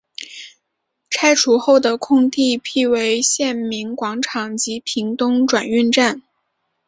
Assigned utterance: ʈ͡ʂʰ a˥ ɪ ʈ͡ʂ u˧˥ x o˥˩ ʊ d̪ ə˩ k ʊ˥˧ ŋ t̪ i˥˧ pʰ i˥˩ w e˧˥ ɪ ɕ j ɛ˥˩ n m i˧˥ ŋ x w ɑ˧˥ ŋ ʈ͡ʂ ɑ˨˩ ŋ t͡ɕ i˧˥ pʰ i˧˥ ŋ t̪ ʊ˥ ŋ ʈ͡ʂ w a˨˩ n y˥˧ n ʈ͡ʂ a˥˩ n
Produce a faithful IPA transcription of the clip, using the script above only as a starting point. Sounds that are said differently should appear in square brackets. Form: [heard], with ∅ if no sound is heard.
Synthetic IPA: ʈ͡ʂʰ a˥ ɪ [ʈ͡ʂʰ] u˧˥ x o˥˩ ʊ d̪ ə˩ [kʰ] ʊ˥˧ ŋ t̪ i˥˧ pʰ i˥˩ w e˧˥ ɪ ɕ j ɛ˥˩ n m i˧˥ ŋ [k] w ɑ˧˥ ŋ [ʈ͡ʂʰ] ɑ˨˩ ŋ t͡ɕ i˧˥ pʰ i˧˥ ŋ t̪ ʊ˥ ŋ ʈ͡ʂ w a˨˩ n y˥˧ n ʈ͡ʂ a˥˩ n